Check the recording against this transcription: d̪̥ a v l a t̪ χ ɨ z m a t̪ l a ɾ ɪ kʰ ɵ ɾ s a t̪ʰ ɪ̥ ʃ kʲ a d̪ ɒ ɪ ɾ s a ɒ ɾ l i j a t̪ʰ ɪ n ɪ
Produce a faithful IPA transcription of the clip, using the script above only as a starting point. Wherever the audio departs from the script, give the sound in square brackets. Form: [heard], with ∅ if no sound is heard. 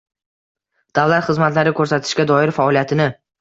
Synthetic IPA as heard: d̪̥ a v l a t̪ χ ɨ z m a t̪ l a ɾ ɪ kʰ ɵ ɾ s a t̪ʰ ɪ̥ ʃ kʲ a d̪ ɒ ɪ ɾ [f] a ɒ [∅] l i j a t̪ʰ ɪ n ɪ